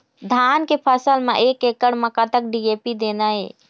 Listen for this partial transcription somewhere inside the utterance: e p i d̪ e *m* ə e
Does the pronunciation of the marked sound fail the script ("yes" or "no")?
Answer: yes